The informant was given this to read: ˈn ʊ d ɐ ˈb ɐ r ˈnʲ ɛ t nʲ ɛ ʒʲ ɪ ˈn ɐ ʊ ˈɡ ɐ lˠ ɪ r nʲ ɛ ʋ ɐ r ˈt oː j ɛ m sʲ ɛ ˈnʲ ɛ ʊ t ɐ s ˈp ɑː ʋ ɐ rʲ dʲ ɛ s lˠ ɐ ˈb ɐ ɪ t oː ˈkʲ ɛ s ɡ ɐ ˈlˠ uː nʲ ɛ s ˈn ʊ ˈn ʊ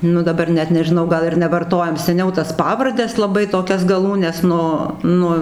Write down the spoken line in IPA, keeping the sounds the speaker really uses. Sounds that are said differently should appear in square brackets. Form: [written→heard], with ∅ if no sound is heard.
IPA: ˈn ʊ d ɐ ˈb ɐ r ˈnʲ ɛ t nʲ ɛ ʒʲ ɪ ˈn ɐ ʊ ˈɡ ɐ lˠ ɪ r nʲ ɛ ʋ ɐ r ˈt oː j ɛ m sʲ ɛ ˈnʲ ɛ ʊ t ɐ s ˈp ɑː ʋ ɐ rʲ dʲ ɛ s lˠ ɐ ˈb ɐ ɪ t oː ˈkʲ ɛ s ɡ ɐ ˈlˠ uː nʲ ɛ s ˈn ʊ ˈn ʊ